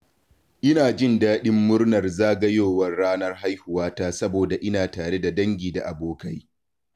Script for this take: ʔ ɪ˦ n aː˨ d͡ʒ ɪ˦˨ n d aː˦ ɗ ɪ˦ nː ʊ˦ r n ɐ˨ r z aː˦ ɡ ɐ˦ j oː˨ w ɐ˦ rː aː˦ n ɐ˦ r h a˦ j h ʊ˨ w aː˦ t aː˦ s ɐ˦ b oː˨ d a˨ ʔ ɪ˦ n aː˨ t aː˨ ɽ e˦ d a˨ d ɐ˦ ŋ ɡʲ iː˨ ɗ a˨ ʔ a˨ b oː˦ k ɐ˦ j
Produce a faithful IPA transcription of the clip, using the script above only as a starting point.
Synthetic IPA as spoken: ʔ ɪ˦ n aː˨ d͡ʒ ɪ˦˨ n d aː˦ ɗ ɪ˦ mː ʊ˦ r n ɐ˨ r z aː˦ ɡ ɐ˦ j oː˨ w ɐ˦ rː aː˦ n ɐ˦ r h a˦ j h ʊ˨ w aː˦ t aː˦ s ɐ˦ b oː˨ d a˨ ʔ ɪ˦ n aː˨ t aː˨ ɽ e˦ d a˨ d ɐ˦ ŋ ɡʲ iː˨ d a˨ ʔ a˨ b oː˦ k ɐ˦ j